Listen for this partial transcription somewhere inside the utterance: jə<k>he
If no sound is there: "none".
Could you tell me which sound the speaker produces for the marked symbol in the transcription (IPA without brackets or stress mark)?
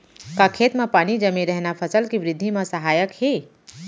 k